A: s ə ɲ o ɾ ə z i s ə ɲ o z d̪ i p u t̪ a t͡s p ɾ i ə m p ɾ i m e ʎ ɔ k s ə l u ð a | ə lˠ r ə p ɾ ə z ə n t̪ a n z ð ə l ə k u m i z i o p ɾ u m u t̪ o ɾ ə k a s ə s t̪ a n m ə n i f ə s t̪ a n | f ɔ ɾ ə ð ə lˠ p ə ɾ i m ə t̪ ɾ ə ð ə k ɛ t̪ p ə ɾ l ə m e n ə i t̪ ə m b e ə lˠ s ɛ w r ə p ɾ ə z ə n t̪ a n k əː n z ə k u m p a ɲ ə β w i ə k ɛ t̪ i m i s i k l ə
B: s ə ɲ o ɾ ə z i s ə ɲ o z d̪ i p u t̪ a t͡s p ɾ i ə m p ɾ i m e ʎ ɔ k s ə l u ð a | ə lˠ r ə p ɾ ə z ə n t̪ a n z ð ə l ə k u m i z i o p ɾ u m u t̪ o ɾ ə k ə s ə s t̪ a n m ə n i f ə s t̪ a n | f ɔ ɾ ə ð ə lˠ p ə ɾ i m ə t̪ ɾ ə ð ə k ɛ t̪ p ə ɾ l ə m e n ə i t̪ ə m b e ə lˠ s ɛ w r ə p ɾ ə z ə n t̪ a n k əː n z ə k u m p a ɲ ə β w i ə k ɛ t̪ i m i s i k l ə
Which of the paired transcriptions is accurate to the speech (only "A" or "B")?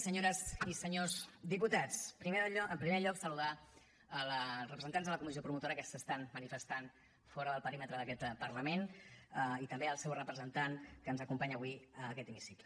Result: B